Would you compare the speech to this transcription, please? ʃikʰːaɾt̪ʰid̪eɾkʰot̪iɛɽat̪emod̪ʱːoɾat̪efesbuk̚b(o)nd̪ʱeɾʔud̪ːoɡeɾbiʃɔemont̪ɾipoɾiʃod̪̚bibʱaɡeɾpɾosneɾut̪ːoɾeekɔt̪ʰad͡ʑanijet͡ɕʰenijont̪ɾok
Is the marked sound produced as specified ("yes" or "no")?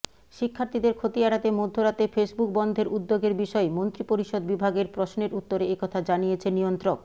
no